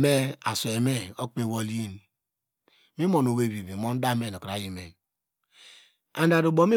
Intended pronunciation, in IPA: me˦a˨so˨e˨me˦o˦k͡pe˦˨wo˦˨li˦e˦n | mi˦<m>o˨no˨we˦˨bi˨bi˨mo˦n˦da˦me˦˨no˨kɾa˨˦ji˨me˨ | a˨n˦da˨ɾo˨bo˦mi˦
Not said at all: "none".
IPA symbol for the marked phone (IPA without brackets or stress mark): m